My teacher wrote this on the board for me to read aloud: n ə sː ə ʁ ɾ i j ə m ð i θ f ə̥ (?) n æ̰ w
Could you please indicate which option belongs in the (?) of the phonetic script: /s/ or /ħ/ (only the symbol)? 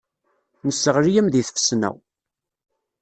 s